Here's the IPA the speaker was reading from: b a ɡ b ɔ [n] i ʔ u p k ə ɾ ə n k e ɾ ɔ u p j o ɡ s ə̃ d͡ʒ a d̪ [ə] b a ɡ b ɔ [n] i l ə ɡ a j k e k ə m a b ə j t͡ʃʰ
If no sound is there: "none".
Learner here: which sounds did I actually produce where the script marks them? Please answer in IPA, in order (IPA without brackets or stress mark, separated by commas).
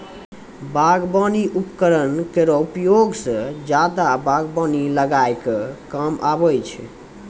n, a, n